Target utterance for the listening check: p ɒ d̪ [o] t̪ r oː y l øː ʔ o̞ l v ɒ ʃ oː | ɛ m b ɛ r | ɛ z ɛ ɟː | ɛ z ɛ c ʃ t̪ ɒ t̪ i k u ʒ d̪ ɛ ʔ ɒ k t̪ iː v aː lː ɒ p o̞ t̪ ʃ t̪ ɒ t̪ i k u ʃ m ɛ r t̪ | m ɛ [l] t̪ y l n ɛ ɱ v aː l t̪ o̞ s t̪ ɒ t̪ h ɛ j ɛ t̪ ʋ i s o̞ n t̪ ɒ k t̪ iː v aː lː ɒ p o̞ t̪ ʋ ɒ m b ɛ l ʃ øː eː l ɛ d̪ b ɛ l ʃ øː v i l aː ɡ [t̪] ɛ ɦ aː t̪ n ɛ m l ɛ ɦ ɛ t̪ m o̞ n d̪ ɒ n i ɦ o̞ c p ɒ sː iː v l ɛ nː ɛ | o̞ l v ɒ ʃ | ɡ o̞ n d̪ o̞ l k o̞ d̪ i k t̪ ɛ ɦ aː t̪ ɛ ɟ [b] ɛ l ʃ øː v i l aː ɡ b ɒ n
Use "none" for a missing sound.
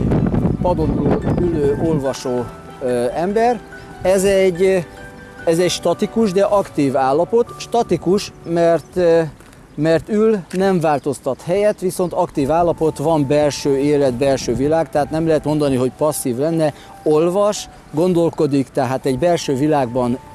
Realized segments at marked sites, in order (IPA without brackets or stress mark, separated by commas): o, r, t̪, b